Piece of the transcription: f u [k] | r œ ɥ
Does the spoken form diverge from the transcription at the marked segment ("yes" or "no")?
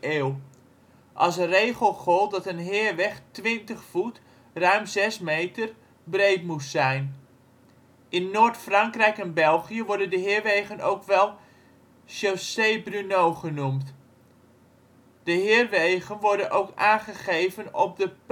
yes